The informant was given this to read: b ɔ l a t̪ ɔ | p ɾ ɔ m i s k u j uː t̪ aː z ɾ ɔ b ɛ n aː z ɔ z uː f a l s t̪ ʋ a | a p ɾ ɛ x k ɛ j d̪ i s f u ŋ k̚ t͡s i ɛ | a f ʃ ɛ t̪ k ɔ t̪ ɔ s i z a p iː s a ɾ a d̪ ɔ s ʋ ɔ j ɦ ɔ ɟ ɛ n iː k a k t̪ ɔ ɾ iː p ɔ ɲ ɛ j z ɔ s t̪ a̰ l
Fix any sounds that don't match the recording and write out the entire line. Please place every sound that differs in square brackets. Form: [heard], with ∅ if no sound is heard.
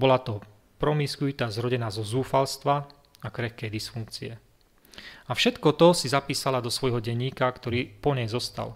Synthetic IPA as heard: b ɔ l a t̪ ɔ | p ɾ ɔ m i s k u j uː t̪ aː z ɾ ɔ [ɟ] ɛ n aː z ɔ z uː f a l s t̪ ʋ a | a [k] ɾ ɛ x k ɛ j d̪ i s f u ŋ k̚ t͡s i ɛ | a f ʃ ɛ t̪ k ɔ t̪ ɔ s i z a p iː s a [l] a d̪ ɔ s ʋ ɔ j ɦ ɔ ɟ ɛ [ɲ] iː k a k t̪ ɔ ɾ iː p ɔ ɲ ɛ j z ɔ s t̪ a̰ l